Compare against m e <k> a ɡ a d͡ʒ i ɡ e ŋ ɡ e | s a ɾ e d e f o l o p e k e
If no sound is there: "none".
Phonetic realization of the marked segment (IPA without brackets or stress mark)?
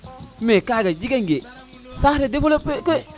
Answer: k